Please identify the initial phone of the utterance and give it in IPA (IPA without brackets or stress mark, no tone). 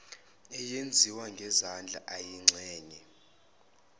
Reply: ɛ